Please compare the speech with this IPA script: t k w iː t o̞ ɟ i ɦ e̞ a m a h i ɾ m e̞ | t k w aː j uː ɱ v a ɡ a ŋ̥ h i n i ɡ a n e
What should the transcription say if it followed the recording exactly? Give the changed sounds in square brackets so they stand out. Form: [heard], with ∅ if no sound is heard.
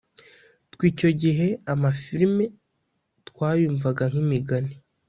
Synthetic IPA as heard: t k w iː [c] o̞ ɟ i ɦ e̞ a m a [f] i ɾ m e̞ | t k w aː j uː ɱ v a ɡ a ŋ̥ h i [m] i ɡ a n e